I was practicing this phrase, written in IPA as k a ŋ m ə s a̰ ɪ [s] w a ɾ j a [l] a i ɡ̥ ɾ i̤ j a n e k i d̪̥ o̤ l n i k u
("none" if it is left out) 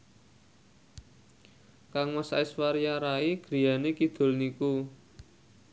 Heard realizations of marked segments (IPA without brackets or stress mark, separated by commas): s, ɾ